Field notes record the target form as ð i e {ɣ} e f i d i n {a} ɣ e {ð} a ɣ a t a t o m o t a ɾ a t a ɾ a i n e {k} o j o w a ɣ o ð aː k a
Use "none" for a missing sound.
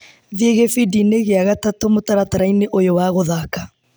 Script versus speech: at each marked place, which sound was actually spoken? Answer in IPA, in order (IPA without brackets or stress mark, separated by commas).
ɣ, e, none, ʔ